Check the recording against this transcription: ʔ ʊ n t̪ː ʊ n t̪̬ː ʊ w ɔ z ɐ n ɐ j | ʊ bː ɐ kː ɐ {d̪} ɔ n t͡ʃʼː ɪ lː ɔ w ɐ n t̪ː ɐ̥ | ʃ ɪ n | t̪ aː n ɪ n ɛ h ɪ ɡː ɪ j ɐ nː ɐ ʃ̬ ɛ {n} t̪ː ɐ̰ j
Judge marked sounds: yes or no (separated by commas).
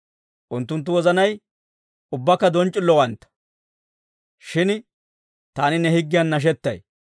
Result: yes, no